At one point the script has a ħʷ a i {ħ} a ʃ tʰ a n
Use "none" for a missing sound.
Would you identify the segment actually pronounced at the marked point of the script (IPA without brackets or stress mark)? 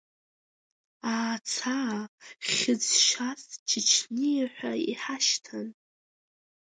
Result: ħ